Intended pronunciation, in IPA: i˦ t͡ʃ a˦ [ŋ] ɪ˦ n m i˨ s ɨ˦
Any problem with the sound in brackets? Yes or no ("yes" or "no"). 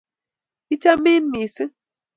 yes